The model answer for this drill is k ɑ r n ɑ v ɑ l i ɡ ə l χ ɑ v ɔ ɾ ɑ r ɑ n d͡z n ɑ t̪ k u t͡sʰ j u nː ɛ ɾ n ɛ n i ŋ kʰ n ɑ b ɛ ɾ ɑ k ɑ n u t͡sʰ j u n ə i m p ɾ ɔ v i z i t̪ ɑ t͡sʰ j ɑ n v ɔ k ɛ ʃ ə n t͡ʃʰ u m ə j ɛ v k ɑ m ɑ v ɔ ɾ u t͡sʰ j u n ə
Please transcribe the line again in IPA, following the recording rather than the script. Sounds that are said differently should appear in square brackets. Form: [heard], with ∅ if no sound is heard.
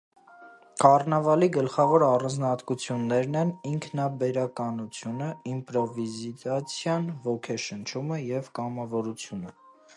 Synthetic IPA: k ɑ r n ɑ v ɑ l i ɡ ə l χ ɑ v ɔ ɾ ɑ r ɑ n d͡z n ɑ t̪ k u t͡sʰ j u nː ɛ ɾ n ɛ n i ŋ kʰ n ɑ b ɛ ɾ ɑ k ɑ n u t͡sʰ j u n ə i m p ɾ ɔ v i z i t̪ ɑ t͡sʰ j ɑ n v ɔ [kʰ] ɛ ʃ ə n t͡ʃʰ u m ə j ɛ v k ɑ m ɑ v ɔ ɾ u t͡sʰ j u n ə